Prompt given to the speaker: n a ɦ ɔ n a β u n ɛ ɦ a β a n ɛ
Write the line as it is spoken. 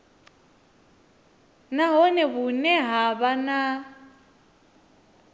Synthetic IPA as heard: n a ɦ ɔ n ɛ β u n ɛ ɦ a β a n a